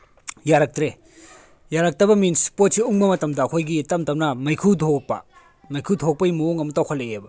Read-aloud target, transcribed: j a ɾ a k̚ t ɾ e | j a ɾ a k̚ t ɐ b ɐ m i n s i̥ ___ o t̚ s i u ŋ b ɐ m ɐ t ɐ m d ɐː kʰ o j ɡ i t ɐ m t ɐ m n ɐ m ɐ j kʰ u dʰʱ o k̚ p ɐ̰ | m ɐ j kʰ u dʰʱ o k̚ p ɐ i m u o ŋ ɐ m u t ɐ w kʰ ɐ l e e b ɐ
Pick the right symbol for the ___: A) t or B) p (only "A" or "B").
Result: B